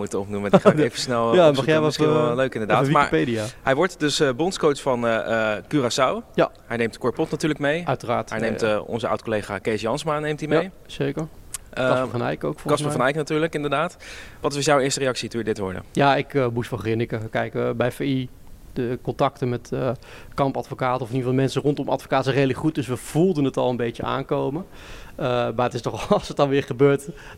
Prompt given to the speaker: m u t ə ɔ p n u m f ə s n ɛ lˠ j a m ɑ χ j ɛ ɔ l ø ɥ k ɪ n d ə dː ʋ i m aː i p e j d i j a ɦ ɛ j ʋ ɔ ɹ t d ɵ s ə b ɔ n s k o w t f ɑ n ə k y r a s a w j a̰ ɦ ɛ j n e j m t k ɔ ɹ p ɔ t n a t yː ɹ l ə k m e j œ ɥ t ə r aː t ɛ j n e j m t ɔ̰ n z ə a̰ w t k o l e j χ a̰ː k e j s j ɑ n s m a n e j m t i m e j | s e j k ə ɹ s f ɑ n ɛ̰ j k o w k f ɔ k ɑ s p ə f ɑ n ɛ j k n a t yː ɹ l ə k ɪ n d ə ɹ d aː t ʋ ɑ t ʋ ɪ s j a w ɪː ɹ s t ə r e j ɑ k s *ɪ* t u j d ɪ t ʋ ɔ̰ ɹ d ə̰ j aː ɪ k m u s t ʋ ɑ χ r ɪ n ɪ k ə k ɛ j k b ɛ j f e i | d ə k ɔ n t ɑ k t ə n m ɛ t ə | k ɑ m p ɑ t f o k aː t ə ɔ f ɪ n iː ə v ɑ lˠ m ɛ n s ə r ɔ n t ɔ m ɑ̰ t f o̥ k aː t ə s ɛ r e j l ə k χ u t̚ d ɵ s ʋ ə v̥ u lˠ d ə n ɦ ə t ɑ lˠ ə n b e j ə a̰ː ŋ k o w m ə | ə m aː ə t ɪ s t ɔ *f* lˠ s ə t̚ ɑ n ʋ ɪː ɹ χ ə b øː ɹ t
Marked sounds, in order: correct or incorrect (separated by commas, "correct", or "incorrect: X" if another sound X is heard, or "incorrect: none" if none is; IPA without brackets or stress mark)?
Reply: incorrect: i, incorrect: χ